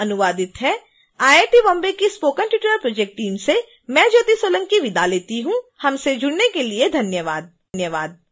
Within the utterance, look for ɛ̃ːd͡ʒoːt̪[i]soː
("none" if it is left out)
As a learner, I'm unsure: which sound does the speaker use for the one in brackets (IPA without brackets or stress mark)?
i